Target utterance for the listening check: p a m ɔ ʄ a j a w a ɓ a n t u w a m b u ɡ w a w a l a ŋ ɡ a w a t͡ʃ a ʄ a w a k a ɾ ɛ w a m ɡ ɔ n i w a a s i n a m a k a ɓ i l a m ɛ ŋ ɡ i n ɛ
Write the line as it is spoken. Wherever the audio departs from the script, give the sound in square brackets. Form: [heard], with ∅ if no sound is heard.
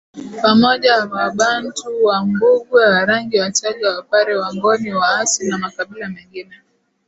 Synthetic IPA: p a m ɔ ʄ a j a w a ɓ a n t u w a m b u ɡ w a w a [ɾ] a ŋ ɡ [i] w a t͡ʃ a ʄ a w a [p] a ɾ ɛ w a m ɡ ɔ n i w a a s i n a m a k a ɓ i l a m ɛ ŋ ɡ i n ɛ